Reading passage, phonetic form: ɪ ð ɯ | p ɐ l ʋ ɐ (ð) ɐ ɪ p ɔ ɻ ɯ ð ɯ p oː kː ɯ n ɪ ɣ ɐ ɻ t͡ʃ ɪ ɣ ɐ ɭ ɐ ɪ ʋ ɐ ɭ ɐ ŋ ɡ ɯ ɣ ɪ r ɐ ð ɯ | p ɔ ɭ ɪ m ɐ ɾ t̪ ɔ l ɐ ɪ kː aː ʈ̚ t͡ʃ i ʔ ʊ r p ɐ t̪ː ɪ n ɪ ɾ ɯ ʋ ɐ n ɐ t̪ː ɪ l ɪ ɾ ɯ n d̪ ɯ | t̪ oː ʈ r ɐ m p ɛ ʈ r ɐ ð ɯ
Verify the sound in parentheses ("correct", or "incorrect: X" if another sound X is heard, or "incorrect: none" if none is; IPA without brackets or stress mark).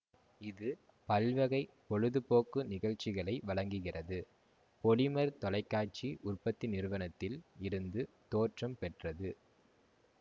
incorrect: ɣ